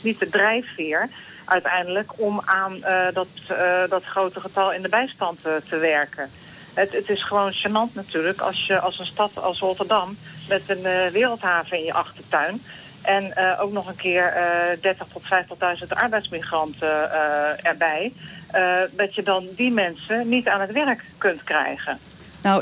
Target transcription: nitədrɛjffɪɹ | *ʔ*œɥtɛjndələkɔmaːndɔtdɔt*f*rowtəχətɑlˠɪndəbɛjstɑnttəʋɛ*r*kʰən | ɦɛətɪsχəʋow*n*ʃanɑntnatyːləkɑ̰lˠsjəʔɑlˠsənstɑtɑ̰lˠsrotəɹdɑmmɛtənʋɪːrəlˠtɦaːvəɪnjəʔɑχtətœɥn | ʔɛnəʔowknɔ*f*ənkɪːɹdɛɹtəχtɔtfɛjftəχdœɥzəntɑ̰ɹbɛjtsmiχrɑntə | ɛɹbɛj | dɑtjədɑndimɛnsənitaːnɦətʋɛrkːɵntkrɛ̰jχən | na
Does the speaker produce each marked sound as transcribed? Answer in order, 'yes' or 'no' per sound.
yes, no, no, yes, no

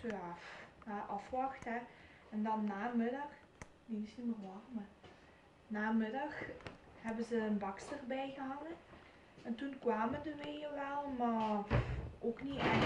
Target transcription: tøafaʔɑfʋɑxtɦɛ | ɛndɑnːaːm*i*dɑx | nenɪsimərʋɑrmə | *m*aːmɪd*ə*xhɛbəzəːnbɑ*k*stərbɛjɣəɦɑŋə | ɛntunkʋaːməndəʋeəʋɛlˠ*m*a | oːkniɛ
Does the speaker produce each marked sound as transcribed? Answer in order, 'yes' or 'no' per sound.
no, no, no, yes, yes

